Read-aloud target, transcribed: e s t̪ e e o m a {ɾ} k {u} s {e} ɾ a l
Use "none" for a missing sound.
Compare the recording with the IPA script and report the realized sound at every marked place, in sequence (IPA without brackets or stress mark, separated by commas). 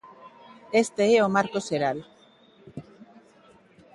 ɾ, o, e